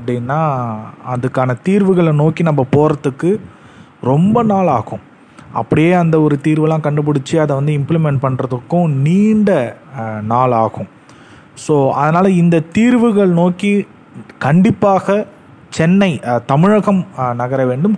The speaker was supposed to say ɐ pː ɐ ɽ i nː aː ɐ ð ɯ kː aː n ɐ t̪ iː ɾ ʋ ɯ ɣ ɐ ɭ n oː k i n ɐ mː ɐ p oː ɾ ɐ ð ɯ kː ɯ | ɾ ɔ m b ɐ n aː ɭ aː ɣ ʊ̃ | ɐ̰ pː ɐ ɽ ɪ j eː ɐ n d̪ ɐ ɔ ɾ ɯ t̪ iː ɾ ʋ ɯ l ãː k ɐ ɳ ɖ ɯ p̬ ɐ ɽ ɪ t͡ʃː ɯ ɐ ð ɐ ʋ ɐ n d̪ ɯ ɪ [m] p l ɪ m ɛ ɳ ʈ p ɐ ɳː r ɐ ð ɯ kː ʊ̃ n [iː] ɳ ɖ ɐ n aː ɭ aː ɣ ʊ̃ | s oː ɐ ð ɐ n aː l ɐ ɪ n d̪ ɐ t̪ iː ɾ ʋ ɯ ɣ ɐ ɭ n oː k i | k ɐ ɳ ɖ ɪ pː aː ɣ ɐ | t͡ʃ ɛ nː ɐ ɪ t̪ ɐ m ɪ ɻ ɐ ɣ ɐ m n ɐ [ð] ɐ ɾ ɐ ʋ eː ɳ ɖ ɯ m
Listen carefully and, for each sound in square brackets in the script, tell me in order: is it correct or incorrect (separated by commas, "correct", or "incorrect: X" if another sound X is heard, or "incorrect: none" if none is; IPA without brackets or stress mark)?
correct, correct, incorrect: ɣ